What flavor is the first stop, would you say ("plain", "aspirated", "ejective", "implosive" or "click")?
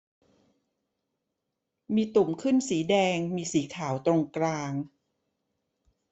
plain